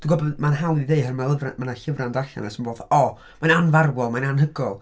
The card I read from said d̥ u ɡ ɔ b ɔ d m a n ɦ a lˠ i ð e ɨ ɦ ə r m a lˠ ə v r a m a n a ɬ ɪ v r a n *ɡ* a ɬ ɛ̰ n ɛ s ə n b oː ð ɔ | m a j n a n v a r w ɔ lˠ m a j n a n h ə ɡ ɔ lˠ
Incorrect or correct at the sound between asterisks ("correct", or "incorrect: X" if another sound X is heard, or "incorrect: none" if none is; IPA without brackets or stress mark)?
incorrect: d